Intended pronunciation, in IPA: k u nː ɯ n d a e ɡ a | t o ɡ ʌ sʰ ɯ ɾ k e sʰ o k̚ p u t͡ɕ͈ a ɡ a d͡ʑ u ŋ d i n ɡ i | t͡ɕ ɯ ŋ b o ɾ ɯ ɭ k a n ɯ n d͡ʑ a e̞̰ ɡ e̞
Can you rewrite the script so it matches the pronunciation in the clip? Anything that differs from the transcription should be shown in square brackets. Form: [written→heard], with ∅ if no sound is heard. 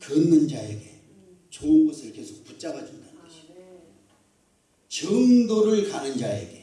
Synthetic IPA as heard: k [u→ɯ] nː ɯ n [d→d͡ʑ] a e ɡ [a→e] | [t→t͡ɕ] o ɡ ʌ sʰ ɯ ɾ k e sʰ o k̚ p u t͡ɕ͈ a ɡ a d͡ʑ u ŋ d [i→a] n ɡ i | t͡ɕ ɯ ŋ [b→d] o ɾ ɯ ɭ k a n ɯ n d͡ʑ a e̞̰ ɡ e̞